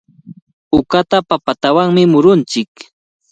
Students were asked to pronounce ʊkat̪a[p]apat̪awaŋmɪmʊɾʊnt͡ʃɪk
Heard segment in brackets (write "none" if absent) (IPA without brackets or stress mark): p